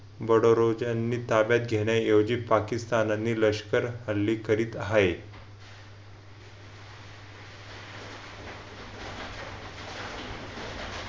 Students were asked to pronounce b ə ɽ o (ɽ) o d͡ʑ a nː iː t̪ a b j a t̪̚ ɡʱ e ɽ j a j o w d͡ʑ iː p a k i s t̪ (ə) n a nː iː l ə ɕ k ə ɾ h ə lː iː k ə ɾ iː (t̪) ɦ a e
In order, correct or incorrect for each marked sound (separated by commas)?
incorrect, incorrect, correct